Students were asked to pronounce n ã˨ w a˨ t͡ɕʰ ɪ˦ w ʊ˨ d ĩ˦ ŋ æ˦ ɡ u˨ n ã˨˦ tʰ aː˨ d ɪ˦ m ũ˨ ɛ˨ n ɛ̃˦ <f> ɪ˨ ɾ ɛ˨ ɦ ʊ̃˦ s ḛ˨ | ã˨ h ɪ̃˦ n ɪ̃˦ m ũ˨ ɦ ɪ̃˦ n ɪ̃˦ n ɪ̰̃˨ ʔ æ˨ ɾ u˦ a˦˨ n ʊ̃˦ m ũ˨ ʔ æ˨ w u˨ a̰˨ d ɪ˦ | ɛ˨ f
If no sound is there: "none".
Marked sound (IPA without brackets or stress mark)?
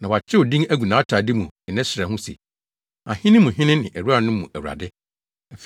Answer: s